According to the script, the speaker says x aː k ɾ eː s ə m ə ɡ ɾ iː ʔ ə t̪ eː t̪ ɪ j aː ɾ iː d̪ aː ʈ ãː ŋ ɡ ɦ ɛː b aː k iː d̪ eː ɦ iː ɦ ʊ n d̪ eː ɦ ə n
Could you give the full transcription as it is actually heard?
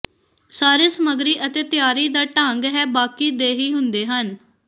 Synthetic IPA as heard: s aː ɾ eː s ə m ə ɡ ɾ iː ʔ ə t̪ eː t̪ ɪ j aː ɾ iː d̪ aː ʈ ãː ŋ ɡ ɦ ɛː b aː k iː d̪ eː ɦ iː ɦ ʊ n d̪ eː ɦ ə n